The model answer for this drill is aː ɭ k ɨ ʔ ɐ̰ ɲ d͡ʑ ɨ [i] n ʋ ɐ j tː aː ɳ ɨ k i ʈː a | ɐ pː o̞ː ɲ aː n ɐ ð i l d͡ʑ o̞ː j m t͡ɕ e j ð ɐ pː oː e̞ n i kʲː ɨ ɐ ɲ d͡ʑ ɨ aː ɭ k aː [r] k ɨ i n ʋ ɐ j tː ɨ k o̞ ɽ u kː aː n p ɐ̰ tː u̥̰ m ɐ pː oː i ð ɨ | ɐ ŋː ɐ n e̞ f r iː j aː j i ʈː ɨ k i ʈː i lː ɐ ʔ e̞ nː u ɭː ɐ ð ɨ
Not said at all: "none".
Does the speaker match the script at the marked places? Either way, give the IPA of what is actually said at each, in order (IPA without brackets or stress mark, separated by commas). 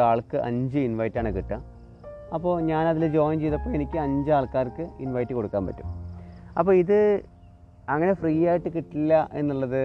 i, r